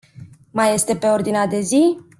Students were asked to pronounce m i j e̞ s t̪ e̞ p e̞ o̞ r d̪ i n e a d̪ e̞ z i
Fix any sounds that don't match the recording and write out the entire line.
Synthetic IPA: m a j e̞ s t̪ e̞ p e̞ o̞ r d̪ i n e a d̪ e̞ z i